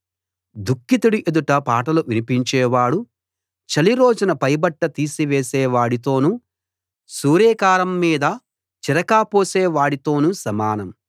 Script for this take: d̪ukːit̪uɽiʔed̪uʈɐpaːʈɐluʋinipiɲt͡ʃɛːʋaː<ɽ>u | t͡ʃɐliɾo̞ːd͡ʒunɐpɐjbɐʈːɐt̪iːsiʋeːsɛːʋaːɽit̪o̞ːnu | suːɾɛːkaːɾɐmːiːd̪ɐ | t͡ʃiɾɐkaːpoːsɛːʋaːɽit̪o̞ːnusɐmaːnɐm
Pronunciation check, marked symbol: correct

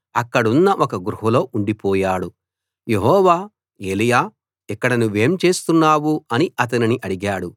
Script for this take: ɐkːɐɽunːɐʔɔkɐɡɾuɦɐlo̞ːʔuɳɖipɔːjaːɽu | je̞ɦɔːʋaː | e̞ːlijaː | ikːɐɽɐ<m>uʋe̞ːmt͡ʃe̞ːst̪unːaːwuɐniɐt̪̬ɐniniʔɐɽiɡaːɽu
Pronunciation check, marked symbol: incorrect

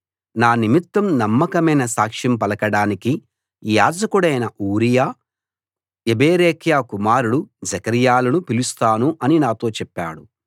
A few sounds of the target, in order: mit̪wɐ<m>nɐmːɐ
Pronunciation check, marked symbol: correct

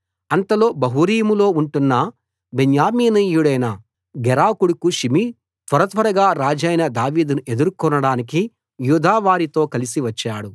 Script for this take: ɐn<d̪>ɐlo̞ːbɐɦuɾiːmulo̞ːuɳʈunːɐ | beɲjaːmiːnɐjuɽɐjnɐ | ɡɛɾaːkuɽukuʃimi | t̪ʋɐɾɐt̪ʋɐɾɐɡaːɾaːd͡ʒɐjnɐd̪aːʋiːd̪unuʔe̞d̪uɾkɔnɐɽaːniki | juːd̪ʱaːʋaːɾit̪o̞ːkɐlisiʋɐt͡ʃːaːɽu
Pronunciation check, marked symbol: incorrect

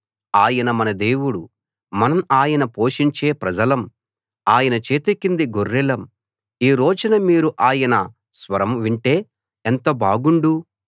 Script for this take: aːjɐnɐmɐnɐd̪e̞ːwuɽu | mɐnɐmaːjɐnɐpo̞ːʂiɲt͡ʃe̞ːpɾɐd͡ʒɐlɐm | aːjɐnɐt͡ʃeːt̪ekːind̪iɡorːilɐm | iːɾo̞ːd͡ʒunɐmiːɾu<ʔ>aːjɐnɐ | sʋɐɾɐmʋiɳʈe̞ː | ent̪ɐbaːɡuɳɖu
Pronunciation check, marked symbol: correct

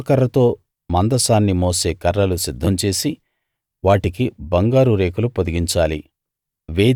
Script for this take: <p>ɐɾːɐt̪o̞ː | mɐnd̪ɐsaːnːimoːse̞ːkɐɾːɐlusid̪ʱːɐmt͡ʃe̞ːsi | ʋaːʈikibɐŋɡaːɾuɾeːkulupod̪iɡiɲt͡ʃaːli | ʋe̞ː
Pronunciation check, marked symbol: incorrect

